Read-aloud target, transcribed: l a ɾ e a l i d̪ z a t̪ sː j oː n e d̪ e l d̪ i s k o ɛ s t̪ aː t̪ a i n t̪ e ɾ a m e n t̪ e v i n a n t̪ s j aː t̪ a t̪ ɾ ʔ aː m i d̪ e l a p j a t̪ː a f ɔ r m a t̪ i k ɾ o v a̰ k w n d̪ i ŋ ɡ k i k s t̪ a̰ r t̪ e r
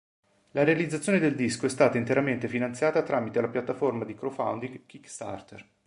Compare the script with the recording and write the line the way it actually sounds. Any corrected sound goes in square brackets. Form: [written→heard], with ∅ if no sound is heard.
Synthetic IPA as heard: l a ɾ e a l i d̪ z a t̪ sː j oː n e d̪ e l d̪ i s k o ɛ s t̪ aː t̪ a i n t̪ e ɾ a m e n t̪ e [v→f] i n a n t̪ s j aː t̪ a t̪ ɾ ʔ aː m i [d̪→t̪] e l a p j a t̪ː a f [ɔ→o] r m a [t̪→d̪] i k ɾ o [v→f] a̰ [k→∅] w n d̪ i ŋ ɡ k i k s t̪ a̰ r t̪ e r